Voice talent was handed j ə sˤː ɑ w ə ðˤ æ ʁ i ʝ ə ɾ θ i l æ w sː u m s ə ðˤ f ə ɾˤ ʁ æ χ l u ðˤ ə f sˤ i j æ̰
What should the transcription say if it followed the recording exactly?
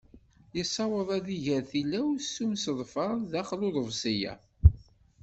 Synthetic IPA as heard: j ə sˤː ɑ w ə ðˤ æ ð i ʝ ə ɾ θ i l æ w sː u m s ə ðˤ f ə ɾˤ ð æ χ l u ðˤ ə v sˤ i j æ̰